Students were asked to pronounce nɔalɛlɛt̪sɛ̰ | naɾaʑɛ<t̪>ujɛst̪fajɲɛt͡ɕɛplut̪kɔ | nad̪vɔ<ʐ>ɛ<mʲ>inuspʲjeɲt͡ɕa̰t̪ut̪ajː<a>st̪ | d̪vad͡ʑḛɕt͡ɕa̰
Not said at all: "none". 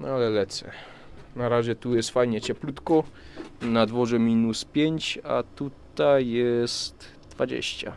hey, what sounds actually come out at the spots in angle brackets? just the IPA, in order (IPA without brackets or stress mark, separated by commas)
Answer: t̪, ʐ, mʲ, ɛ